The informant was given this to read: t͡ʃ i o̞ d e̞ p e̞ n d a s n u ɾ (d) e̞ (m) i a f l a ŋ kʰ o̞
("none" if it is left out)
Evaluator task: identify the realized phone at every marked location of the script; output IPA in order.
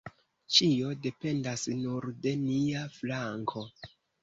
d, n

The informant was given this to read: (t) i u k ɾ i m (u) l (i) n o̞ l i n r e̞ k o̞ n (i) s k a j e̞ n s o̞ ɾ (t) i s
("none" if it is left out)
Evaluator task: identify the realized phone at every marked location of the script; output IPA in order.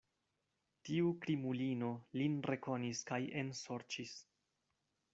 t, u, i, i, t͡ʃ

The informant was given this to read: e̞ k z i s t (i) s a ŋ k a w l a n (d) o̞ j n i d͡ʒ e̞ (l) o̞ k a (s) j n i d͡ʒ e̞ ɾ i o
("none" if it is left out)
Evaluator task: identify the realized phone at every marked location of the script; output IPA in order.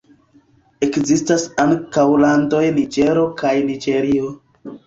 a, d, ɾ, none

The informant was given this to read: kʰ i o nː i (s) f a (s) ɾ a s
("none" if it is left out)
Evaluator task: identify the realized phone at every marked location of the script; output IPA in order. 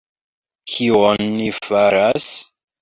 none, none

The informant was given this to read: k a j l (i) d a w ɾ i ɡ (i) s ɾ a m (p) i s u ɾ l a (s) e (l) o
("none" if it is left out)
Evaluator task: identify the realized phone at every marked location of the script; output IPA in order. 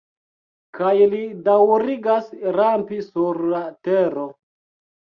i, a, p, t, ɾ

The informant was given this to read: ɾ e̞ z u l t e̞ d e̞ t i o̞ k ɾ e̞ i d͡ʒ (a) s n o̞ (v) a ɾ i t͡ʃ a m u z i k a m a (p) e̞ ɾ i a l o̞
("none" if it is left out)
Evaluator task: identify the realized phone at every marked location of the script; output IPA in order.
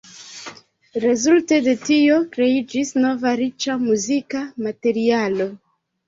i, v, t

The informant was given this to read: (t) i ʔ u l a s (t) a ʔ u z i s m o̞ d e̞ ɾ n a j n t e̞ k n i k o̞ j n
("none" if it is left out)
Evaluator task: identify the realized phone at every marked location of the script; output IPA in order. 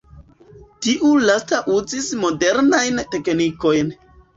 t, t

